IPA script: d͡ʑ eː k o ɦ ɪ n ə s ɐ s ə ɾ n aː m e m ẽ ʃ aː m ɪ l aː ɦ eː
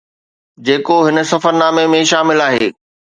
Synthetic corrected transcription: d͡ʑ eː k o ɦ ɪ n ə s ɐ f ə ɾ n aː m e m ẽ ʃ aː m ɪ l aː ɦ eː